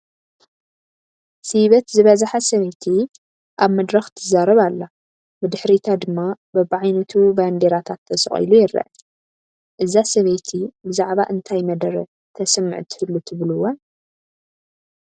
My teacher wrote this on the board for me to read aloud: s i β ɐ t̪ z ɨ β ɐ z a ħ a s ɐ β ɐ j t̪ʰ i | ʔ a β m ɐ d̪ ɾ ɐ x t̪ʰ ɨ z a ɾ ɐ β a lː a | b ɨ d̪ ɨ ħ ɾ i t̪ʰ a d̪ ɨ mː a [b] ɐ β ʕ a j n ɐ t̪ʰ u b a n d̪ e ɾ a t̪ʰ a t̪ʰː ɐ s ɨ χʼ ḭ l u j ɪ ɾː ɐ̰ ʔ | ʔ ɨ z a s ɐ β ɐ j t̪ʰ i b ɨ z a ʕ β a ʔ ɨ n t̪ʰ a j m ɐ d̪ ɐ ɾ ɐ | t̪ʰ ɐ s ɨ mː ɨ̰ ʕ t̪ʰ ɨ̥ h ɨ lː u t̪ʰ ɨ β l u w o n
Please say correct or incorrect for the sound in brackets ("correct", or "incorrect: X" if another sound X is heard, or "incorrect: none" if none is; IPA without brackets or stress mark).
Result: correct